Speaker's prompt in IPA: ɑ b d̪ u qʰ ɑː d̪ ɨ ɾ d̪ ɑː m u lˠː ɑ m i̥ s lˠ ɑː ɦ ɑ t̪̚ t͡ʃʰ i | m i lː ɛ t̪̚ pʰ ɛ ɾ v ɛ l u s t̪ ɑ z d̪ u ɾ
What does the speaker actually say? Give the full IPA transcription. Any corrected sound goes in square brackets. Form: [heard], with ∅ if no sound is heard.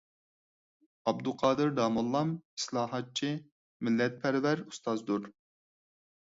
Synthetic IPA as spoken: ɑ b d̪ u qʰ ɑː d̪ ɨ ɾ d̪ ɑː m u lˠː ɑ m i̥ s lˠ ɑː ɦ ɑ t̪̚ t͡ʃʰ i | m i lː ɛ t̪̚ pʰ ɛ ɾ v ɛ [ɾ] u s t̪ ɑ z d̪ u ɾ